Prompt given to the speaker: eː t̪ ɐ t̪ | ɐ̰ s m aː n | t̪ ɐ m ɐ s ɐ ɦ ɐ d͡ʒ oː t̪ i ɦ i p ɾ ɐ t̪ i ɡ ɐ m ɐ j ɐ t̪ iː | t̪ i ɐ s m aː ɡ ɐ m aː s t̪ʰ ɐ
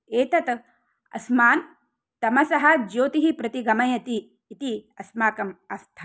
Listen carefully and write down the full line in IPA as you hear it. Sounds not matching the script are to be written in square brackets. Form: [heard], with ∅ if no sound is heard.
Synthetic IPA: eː t̪ ɐ t̪ | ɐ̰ s m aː n | t̪ ɐ m ɐ s ɐ ɦ ɐ d͡ʒ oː t̪ i ɦ i p ɾ ɐ t̪ i ɡ ɐ m ɐ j ɐ t̪ iː | t̪ i ɐ s m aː [k] ɐ m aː s t̪ʰ ɐ